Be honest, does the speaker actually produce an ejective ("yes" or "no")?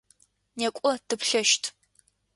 yes